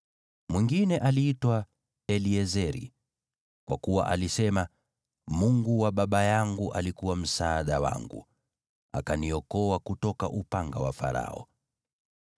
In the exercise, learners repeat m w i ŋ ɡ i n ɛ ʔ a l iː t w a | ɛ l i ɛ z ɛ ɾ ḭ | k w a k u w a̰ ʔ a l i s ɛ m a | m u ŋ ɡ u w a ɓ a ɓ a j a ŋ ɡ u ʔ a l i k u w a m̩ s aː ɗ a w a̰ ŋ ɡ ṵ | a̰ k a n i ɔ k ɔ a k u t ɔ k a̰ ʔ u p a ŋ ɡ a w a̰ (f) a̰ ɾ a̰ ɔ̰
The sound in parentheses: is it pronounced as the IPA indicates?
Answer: yes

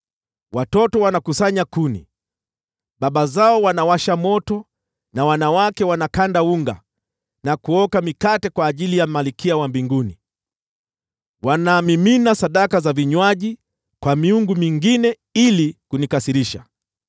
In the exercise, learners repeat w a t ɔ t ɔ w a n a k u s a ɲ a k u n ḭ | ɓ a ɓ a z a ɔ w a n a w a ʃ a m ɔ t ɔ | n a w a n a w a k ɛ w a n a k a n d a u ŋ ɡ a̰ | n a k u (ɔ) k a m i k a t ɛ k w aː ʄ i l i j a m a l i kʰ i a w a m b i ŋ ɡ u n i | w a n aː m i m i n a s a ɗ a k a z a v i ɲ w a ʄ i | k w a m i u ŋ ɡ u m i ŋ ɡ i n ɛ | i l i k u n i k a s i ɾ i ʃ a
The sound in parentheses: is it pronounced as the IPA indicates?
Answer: yes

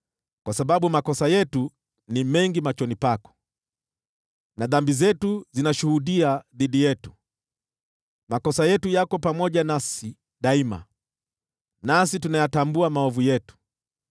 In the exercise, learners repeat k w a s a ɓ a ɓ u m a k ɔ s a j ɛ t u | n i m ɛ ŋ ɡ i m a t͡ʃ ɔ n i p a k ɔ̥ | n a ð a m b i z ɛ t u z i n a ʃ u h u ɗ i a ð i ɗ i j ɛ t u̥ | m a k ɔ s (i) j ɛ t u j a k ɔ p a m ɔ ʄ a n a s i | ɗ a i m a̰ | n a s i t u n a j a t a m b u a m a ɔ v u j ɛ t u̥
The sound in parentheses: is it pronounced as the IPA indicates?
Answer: no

